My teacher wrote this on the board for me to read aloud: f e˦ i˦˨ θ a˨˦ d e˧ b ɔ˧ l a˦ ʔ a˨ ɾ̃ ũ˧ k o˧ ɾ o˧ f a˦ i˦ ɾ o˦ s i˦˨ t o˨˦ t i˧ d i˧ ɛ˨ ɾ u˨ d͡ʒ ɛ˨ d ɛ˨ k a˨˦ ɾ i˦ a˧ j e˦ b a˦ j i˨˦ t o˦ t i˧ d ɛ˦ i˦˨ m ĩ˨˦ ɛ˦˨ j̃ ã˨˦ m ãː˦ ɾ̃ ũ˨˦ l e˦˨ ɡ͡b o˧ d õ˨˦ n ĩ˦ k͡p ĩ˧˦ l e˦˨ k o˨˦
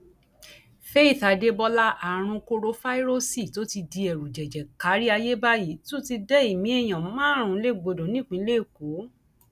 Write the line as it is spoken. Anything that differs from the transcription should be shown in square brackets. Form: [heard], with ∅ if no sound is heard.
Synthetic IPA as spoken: f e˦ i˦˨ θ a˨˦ d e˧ b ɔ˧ l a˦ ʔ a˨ ɾ̃ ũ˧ k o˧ ɾ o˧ f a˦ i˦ ɾ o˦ s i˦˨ t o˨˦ t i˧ d i˧ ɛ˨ ɾ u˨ d͡ʒ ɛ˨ [d͡ʒ] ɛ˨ k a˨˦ ɾ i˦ a˧ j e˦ b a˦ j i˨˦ t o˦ t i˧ d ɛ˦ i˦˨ m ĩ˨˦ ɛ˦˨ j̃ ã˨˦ m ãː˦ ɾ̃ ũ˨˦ l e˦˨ ɡ͡b o˧ d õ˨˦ n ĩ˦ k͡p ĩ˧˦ l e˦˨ k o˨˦